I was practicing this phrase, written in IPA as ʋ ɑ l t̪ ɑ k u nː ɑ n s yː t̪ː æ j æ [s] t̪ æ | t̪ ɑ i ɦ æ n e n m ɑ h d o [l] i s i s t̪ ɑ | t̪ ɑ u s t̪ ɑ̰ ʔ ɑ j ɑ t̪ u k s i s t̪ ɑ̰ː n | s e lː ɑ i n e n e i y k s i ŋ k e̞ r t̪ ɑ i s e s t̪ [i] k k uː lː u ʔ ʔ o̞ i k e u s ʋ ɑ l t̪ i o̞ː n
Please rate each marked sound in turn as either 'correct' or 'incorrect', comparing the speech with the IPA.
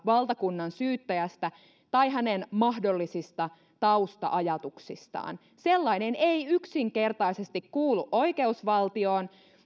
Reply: correct, incorrect, correct

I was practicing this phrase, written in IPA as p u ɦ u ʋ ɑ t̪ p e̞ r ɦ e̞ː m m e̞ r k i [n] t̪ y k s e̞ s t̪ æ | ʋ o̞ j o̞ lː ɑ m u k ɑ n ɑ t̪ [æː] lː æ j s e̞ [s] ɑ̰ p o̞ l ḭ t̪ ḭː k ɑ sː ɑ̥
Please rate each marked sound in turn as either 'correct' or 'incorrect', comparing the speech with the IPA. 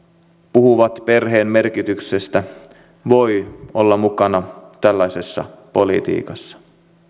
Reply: incorrect, incorrect, incorrect

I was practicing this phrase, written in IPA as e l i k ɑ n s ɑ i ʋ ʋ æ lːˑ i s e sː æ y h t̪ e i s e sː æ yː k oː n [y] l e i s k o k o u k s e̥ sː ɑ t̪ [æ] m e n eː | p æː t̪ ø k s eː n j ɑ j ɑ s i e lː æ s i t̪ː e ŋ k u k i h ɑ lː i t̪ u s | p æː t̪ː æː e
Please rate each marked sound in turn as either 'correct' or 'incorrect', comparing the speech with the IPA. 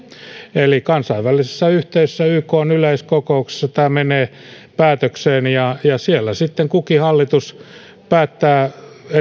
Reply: correct, incorrect

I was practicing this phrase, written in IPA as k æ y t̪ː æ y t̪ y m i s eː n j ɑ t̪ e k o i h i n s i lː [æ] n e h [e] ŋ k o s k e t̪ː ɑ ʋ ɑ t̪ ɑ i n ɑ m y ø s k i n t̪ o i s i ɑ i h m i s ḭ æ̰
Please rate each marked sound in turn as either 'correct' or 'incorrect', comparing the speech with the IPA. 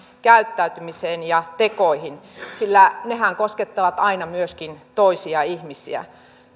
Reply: correct, incorrect

